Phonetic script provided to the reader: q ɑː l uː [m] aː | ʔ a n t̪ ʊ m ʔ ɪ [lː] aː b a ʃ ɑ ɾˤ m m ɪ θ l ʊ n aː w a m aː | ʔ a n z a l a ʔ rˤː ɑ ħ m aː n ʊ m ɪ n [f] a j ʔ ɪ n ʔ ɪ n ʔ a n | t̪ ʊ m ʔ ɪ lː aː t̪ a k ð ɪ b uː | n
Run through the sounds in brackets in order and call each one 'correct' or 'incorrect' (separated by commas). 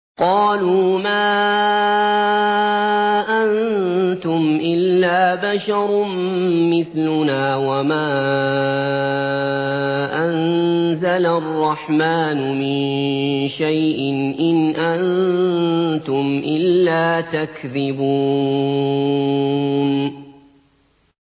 correct, correct, incorrect